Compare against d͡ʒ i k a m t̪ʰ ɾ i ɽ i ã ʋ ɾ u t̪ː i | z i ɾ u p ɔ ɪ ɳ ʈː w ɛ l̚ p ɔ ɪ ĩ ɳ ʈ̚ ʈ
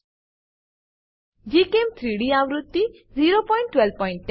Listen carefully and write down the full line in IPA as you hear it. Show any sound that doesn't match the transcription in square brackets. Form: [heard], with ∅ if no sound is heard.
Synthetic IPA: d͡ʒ i k [e] m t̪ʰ ɾ i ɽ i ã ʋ ɾ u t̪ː i | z i ɾ [o] p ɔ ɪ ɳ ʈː w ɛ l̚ p ɔ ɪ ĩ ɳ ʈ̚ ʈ